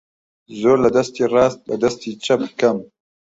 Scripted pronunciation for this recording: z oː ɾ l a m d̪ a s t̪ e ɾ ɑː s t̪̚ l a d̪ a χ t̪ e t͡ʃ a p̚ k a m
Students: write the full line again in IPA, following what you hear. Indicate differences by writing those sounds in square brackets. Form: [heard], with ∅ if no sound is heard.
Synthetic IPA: z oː ɾ l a [∅] d̪ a s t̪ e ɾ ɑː s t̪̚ l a d̪ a [s] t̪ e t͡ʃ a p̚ k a m